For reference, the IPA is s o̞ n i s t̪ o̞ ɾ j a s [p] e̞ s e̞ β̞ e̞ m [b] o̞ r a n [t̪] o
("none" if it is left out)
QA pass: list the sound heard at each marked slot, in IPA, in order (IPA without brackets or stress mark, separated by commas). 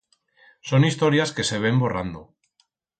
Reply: k, b, d̪